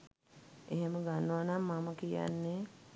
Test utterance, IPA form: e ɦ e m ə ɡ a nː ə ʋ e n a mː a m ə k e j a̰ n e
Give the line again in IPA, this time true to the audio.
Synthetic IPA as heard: e ɦ e m ə ɡ a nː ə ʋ a n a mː a m ə k i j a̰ nː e